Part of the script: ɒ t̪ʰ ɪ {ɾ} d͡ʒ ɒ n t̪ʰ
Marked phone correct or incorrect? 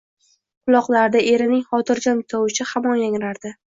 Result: correct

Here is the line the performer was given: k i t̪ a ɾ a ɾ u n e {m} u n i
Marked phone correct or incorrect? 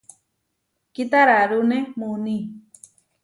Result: correct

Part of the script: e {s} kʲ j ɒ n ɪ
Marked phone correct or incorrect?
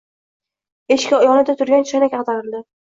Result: incorrect: ʃ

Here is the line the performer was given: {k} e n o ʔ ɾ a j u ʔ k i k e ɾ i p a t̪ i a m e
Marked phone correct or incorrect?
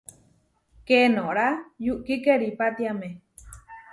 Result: correct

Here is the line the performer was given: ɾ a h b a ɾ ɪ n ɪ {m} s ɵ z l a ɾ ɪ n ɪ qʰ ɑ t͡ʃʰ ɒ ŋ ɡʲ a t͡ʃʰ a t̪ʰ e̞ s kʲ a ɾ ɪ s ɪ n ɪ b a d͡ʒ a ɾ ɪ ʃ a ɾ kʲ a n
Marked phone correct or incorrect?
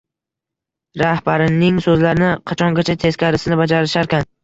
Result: incorrect: ŋ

